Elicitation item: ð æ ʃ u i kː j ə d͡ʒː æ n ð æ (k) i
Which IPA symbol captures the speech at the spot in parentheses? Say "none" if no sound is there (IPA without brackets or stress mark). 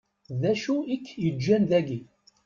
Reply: ɡ